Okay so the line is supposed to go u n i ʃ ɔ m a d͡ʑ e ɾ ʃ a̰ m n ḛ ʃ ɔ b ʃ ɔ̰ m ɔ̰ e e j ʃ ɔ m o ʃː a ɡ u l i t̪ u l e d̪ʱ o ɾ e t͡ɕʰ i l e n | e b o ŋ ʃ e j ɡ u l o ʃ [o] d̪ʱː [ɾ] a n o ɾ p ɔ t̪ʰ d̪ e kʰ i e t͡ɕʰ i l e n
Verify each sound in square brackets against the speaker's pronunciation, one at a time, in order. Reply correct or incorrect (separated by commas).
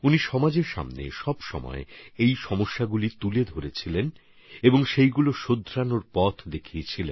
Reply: correct, correct